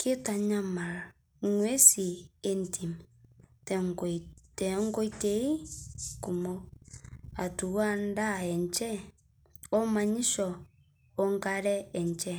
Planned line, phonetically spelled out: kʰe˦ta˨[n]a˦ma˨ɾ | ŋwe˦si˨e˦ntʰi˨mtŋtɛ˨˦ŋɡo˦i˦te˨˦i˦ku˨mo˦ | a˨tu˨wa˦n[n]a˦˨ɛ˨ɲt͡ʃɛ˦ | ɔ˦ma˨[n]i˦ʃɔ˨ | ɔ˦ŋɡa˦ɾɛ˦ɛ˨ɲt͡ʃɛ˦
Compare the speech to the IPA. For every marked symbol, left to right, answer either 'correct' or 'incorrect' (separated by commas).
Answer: incorrect, incorrect, incorrect